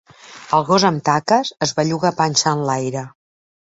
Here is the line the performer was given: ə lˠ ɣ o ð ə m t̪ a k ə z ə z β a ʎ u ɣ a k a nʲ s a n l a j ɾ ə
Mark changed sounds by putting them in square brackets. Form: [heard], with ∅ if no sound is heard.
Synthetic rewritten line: ə lˠ ɣ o [z] ə m t̪ a k ə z ə z β a ʎ u ɣ a [p] a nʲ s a n l a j ɾ ə